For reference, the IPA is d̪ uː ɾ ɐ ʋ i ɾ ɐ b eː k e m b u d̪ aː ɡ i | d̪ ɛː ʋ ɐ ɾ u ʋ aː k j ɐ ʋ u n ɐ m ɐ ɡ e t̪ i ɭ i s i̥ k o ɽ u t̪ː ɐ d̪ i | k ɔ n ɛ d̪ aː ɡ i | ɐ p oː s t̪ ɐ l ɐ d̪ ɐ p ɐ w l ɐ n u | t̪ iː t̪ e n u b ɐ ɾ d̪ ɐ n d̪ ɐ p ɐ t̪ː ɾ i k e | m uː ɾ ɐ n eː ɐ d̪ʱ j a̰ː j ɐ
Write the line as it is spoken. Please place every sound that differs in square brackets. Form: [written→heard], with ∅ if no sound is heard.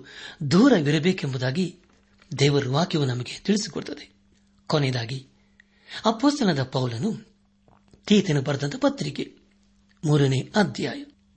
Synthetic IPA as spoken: d̪ uː ɾ ɐ ʋ i ɾ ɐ b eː k e m b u d̪ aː ɡ i | d̪ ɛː ʋ ɐ ɾ u ʋ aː k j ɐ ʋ u n ɐ m ɐ ɡ e t̪ i ɭ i s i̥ k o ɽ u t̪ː ɐ d̪ [i→e] | k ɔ n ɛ d̪ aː ɡ i | ɐ p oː s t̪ ɐ l ɐ d̪ ɐ p ɐ w l ɐ n u | t̪ iː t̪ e n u b ɐ ɾ d̪ ɐ n [d̪→t̪] ɐ p ɐ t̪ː ɾ i k e | m uː ɾ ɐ n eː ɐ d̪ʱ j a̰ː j ɐ